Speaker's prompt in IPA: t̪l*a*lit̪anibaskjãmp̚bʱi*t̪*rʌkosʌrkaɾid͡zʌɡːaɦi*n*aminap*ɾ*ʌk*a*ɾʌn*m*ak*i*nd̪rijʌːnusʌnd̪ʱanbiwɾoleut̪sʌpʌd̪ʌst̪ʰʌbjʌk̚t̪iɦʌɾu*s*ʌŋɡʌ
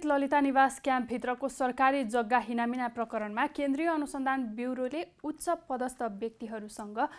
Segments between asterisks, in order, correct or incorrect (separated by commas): incorrect, correct, correct, incorrect, incorrect, correct, incorrect, correct